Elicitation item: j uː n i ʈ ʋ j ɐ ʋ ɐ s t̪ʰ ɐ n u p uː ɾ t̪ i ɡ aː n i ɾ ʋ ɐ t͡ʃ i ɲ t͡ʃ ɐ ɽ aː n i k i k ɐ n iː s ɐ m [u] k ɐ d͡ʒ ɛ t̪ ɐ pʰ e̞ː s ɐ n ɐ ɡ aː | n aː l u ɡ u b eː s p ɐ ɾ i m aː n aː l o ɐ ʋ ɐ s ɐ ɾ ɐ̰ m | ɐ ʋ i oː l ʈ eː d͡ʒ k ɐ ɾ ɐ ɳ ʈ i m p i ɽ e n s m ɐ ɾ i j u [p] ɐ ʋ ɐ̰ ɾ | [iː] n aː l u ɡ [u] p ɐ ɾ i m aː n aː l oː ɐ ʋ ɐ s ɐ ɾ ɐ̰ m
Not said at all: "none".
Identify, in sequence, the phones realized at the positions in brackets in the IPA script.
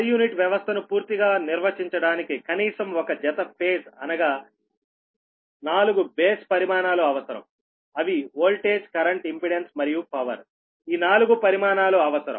ɔ, p, iː, u

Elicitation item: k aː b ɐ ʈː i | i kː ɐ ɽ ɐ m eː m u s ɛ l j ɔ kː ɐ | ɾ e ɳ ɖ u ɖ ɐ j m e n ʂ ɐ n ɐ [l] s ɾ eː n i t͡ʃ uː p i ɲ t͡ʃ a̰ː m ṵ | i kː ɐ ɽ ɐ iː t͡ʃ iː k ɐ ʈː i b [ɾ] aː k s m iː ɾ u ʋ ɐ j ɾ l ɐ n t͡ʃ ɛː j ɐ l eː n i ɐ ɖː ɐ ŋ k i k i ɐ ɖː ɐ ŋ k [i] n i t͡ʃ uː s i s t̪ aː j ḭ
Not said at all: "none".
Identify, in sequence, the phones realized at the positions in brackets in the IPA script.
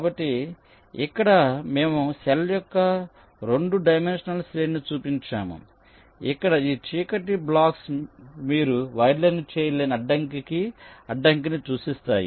l, l, i

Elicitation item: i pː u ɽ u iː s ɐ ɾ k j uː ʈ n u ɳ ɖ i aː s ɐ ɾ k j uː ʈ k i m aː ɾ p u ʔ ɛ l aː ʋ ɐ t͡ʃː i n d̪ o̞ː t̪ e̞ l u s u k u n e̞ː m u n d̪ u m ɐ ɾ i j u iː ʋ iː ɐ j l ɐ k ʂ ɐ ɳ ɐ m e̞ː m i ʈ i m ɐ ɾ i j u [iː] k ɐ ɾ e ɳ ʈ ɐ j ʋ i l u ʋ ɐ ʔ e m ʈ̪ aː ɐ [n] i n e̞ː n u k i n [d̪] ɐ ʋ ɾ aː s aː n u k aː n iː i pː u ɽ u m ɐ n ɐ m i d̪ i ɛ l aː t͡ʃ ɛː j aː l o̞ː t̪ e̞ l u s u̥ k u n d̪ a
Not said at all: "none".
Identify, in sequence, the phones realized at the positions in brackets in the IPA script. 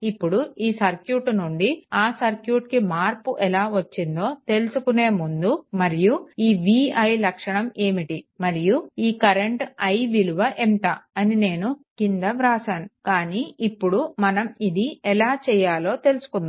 iː, n, d̪

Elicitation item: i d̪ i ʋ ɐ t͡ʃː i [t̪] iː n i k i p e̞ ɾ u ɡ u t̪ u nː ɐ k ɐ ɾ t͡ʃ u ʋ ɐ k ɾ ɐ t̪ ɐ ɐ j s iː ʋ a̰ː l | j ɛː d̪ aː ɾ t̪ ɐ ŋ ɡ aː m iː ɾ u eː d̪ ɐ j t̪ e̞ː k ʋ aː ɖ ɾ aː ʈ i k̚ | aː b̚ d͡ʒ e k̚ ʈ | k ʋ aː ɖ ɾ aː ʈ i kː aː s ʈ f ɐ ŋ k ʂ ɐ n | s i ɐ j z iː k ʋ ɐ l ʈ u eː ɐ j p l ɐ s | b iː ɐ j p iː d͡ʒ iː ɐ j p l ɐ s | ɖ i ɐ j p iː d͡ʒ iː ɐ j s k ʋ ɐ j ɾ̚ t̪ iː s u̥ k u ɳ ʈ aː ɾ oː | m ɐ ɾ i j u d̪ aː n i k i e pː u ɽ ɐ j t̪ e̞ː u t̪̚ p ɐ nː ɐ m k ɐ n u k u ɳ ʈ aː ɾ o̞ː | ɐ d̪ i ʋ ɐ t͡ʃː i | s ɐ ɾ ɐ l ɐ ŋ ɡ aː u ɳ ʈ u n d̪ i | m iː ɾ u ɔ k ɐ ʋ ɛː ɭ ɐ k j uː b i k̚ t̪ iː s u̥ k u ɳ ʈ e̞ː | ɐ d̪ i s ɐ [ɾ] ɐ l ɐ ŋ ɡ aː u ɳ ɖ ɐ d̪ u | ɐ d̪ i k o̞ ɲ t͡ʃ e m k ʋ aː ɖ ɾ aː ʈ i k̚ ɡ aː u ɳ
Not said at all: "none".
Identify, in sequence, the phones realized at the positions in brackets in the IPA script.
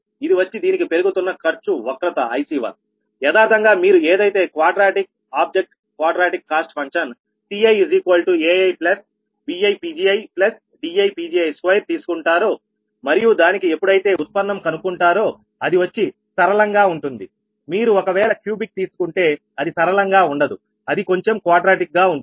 d̪, ɾ

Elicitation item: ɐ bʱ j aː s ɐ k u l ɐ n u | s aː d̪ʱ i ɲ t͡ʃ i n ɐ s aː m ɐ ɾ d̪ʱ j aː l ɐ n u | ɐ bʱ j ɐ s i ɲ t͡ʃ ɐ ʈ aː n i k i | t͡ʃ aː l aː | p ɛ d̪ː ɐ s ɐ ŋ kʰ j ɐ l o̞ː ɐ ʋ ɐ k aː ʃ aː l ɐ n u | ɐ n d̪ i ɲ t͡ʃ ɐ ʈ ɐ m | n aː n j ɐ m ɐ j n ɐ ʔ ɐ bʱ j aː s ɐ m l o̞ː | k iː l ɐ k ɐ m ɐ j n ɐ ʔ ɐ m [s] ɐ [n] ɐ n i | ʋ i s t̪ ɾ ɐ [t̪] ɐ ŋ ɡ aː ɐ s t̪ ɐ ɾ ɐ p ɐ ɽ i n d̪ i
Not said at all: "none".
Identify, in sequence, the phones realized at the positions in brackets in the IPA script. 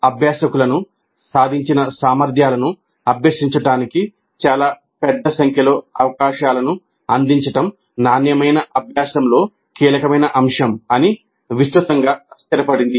ʂ, m, t̪

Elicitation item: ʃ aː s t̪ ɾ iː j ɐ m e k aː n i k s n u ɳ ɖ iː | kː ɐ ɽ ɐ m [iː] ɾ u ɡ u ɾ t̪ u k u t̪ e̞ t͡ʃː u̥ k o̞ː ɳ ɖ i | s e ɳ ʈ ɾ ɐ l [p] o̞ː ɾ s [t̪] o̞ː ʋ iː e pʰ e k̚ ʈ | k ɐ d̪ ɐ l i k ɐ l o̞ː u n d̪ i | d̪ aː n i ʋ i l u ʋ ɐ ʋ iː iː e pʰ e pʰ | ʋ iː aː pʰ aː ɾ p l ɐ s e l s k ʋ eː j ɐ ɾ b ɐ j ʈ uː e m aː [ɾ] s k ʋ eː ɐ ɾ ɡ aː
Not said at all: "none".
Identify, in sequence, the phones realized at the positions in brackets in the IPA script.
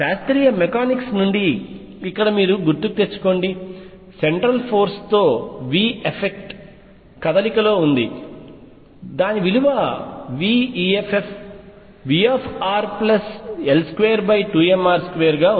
iː, pʰ, t̪, ɾ

